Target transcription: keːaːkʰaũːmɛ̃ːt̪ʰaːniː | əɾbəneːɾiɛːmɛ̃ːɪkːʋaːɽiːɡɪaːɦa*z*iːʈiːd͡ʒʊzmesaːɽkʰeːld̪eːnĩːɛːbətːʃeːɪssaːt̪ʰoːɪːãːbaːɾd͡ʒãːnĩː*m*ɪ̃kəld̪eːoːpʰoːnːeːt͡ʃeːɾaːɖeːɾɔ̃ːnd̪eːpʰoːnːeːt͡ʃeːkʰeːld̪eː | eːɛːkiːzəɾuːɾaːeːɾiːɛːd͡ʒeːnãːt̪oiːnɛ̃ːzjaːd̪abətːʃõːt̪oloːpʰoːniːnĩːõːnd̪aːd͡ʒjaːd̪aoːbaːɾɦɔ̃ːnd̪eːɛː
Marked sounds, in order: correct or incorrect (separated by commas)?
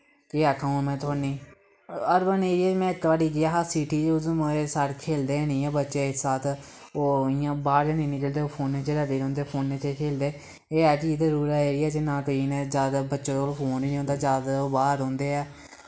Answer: incorrect, incorrect